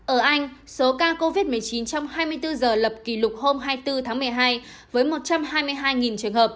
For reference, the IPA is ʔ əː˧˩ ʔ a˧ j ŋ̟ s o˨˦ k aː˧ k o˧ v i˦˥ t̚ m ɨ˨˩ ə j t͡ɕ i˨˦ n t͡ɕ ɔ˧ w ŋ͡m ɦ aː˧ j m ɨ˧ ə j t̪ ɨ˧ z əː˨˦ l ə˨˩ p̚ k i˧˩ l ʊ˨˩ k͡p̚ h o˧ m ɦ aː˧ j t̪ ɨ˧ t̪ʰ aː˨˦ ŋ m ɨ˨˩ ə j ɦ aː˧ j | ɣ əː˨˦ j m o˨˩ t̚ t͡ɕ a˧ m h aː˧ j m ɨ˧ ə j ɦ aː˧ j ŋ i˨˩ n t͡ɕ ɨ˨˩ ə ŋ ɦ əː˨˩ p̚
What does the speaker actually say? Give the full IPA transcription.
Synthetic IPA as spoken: ʔ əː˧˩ ʔ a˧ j ŋ̟ s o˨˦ k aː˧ k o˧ v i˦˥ t̚ m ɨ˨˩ ə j t͡ɕ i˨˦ n t͡ɕ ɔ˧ w ŋ͡m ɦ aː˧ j m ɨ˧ ə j t̪ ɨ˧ z əː˨˩ l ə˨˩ p̚ k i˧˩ l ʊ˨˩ k͡p̚ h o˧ m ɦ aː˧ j t̪ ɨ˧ t̪ʰ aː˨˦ ŋ m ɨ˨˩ ə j ɦ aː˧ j | v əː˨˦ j m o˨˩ t̚ t͡ɕ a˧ m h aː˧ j m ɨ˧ ə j ɦ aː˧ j ŋ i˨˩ n t͡ɕ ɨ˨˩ ə ŋ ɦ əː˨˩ p̚